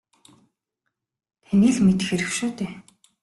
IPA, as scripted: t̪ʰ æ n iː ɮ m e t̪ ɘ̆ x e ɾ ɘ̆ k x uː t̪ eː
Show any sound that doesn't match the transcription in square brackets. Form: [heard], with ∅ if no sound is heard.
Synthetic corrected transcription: t̪ʰ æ n iː ɮ m e t̪ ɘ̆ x e ɾ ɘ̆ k [ʃ] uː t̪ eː